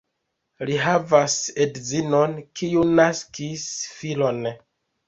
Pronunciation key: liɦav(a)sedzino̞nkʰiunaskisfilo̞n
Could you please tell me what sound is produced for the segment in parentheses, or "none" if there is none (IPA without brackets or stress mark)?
a